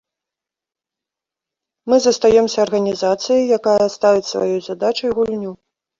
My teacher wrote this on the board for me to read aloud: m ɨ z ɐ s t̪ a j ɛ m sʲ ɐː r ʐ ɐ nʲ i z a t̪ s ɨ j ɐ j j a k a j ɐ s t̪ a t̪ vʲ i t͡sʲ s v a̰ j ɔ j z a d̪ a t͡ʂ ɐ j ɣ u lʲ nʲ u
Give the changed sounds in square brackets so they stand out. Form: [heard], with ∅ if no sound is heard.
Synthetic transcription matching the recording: m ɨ z ɐ s t̪ a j ɛ m sʲ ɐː r [ɣ] ɐ nʲ i z a t̪ s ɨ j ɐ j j a k a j ɐ s t̪ a [∅] vʲ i t͡sʲ s v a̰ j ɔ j z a d̪ a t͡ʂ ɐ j ɣ u lʲ nʲ u